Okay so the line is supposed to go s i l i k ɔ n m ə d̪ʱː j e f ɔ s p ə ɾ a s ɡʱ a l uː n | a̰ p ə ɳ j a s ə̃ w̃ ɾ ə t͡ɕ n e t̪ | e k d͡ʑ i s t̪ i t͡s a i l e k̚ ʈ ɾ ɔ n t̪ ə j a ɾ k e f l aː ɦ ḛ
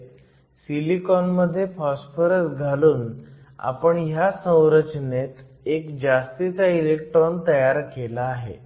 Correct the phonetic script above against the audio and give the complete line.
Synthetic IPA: s i l i k ɔ n m ə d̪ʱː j e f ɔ s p ə ɾ ə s ɡʱ a l uː n | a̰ p ə ɳ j a s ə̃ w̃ ɾ ə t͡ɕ n e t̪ | e k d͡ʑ a s t̪ i t͡s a i l e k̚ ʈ ɾ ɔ n t̪ ə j a ɾ k e l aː ɦ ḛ